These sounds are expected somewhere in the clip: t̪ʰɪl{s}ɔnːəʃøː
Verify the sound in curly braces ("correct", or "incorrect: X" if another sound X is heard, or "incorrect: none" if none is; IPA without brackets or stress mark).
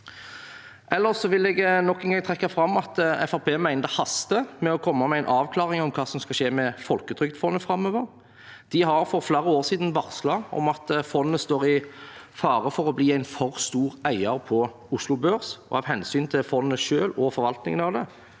incorrect: f